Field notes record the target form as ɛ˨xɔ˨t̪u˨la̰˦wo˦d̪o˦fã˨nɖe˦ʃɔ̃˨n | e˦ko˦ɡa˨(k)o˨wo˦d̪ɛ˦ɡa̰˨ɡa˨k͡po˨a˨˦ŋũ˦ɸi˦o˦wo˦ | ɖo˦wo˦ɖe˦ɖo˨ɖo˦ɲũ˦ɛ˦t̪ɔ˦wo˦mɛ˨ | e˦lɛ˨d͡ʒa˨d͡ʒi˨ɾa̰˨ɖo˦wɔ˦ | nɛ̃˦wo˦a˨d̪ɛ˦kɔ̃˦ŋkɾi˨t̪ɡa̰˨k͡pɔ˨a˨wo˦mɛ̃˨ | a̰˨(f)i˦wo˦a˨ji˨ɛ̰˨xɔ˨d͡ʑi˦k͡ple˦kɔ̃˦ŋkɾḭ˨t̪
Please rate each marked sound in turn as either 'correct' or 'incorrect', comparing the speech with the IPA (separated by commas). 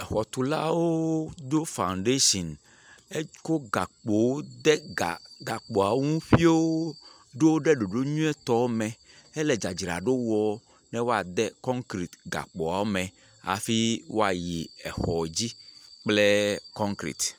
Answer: incorrect, correct